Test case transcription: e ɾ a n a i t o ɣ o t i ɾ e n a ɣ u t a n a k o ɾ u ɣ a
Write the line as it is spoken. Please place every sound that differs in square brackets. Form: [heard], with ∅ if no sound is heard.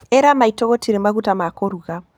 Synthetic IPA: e ɾ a [m] a i t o ɣ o t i ɾ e [m] a ɣ u t a [m] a k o ɾ u ɣ a